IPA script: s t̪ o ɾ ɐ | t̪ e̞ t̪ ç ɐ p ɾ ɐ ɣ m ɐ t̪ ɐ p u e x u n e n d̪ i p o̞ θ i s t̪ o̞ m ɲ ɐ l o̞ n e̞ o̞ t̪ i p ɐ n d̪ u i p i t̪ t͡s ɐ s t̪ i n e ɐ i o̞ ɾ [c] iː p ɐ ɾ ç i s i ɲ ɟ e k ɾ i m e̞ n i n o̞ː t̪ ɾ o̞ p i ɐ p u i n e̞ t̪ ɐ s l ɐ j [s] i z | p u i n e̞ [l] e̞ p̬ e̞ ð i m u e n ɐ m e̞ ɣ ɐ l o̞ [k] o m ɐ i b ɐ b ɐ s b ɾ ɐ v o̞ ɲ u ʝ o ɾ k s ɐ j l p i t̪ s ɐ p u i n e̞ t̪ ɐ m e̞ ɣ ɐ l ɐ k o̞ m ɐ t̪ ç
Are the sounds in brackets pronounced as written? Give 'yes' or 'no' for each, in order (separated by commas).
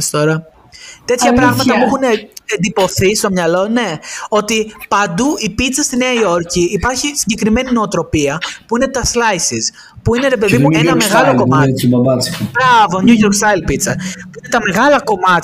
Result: yes, yes, no, yes